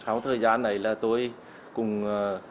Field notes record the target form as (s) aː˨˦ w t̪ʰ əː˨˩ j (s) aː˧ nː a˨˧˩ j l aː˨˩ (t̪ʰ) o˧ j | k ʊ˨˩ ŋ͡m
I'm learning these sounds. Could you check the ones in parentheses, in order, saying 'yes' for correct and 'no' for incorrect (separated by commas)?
yes, no, no